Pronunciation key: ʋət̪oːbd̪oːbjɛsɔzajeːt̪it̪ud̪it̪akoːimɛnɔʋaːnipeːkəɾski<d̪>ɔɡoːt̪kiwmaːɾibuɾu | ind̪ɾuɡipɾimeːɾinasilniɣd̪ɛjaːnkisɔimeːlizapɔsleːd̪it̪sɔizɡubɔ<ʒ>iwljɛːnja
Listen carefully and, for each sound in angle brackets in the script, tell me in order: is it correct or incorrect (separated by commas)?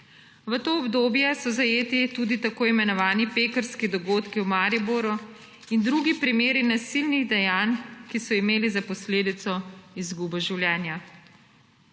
correct, correct